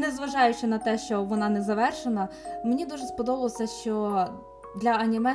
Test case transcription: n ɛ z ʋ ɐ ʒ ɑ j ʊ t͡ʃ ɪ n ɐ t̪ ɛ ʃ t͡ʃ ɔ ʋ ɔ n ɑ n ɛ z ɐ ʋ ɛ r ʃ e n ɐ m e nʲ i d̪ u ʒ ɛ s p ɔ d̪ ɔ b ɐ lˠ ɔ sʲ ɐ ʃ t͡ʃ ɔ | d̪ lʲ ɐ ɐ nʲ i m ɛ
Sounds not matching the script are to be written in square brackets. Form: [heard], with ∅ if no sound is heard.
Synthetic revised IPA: n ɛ z ʋ ɐ ʒ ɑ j ʊ t͡ʃ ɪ n ɐ t̪ ɛ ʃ t͡ʃ ɔ ʋ ɔ n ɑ n ɛ z ɐ ʋ ɛ r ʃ e n ɐ m e nʲ i d̪ u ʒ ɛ s p ɔ d̪ ɔ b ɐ lˠ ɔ sʲ ɐ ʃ t͡ʃ ɔ | d̪ lʲ ɐ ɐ nʲ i m ɛ